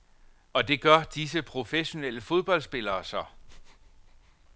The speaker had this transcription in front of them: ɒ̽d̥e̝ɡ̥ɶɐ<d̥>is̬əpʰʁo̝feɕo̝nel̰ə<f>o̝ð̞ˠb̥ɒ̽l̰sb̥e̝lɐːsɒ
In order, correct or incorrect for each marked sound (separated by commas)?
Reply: correct, correct